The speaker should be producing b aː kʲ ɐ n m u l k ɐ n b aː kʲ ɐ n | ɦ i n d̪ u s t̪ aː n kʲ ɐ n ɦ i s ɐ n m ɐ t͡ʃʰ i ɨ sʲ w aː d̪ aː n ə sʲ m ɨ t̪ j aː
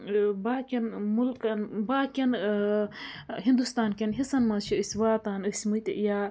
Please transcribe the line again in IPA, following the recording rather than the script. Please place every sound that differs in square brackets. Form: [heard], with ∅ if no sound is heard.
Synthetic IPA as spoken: b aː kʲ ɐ n m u l k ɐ n b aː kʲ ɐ n | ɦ i n d̪ u s t̪ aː n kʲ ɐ n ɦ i s ɐ n m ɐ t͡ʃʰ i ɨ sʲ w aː [t̪] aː n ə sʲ m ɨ t̪ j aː

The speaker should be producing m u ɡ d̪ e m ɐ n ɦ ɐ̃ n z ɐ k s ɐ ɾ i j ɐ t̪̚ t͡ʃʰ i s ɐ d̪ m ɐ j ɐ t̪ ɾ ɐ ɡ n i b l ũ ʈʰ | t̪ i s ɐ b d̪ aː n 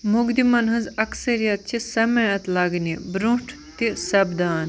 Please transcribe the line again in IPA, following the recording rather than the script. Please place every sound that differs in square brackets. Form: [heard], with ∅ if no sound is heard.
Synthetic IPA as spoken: m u ɡ d̪ [i] m ɐ n ɦ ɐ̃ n z ɐ k s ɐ ɾ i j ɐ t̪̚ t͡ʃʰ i s ɐ [∅] m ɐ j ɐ t̪ [l] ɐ ɡ n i b [ɾ] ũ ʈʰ | t̪ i s ɐ b d̪ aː n

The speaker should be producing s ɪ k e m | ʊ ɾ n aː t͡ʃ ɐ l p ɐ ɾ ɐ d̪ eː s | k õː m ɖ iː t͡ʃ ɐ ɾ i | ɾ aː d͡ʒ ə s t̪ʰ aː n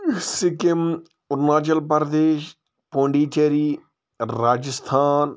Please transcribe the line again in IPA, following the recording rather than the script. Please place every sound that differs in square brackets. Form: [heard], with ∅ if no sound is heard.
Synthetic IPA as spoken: s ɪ k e m | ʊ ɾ n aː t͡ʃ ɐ l p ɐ ɾ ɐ d̪ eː [ʃ] | [p] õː [ɳ] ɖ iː t͡ʃ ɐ ɾ i | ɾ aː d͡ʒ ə s t̪ʰ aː n

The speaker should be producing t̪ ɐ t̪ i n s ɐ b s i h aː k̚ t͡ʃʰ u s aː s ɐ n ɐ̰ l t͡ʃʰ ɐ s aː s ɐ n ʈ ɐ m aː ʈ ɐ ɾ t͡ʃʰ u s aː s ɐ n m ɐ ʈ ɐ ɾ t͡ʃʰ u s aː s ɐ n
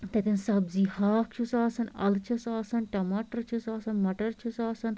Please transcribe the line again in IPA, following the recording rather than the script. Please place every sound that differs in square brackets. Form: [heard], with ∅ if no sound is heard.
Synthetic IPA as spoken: t̪ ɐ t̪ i n s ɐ b [z] i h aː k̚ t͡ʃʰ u s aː s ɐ n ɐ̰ l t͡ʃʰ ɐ s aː s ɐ n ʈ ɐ m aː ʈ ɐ ɾ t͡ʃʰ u s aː s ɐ n m ɐ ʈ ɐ ɾ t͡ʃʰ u s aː s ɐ n

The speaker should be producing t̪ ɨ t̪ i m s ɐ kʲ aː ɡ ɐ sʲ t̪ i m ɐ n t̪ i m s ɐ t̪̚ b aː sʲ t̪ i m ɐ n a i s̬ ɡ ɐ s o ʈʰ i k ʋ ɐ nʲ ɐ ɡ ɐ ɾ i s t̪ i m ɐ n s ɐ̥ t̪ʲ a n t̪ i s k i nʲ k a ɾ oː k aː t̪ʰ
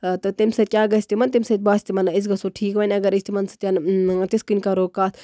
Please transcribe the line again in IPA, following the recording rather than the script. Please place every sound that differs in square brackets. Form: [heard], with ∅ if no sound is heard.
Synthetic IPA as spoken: t̪ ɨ t̪ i m s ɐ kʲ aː ɡ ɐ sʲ t̪ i m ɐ n t̪ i m s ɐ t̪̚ b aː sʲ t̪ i m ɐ n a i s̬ ɡ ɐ s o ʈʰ [iː] k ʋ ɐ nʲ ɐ ɡ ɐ ɾ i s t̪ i m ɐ n s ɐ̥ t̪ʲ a n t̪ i s k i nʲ k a ɾ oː k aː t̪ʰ

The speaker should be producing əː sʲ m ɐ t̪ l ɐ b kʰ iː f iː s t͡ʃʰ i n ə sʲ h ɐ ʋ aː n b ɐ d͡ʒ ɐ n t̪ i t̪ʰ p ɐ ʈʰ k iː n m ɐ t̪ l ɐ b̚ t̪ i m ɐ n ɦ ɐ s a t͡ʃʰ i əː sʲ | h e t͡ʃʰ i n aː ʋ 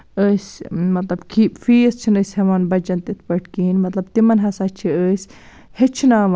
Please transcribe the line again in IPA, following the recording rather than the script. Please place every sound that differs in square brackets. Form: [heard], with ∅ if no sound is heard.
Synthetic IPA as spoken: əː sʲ m ɐ t̪ l ɐ b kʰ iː f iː s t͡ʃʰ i n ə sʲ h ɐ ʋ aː n b ɐ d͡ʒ ɐ n t̪ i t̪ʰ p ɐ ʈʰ k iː n m ɐ t̪ l ɐ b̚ t̪ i m ɐ n ɦ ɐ s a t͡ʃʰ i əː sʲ | h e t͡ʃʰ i n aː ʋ

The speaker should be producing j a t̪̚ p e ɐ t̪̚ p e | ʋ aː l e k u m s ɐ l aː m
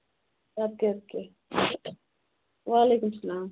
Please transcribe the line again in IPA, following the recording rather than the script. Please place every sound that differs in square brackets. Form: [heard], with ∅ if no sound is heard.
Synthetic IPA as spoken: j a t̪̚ [k] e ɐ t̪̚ [k] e | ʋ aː l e k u m s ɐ l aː m

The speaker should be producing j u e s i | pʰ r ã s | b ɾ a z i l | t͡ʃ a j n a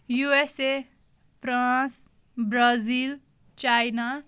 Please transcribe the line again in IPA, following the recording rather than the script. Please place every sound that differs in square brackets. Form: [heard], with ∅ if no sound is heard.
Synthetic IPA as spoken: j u e s [e] | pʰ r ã s | b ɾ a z i l | t͡ʃ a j n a

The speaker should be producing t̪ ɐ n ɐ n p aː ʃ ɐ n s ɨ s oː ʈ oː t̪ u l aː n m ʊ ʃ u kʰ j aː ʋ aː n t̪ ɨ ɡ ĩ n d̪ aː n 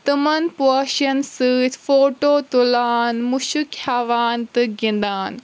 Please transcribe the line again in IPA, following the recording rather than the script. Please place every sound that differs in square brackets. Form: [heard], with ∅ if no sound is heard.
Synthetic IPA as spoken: t̪ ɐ [m] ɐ n p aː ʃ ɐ n s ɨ [f] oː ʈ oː t̪ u l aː n m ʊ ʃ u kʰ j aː ʋ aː n t̪ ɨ ɡ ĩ n d̪ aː n

